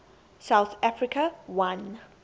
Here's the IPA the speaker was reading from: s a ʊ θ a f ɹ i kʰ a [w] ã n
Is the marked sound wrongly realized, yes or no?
no